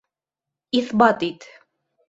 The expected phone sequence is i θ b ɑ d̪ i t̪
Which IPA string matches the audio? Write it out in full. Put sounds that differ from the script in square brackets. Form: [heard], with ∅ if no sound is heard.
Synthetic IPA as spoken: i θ b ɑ [t̪] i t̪